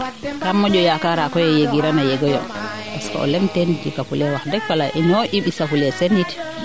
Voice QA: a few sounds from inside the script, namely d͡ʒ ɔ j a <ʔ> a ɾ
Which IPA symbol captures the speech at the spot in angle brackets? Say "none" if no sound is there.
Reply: k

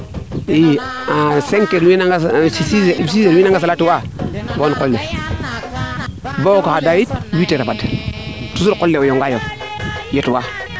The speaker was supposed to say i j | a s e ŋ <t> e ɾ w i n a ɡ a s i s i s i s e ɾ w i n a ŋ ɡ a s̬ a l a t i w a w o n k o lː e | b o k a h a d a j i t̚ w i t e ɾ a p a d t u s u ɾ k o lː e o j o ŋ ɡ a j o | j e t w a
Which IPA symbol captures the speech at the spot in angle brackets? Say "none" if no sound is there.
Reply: k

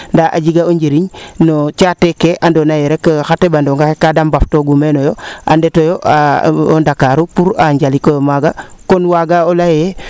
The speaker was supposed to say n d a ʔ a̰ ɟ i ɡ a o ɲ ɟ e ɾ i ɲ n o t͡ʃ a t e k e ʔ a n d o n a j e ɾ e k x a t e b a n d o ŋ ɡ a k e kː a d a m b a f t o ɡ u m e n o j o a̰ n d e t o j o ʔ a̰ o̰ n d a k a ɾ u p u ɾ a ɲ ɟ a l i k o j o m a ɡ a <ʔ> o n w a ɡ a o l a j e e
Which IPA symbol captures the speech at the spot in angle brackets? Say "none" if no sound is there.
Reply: k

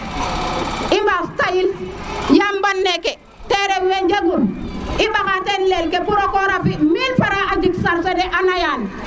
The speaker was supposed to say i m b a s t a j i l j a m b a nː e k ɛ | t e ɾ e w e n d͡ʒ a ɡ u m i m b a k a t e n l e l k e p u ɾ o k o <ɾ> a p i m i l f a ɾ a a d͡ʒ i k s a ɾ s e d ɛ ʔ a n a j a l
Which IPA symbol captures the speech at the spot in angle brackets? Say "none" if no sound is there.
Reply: ɾ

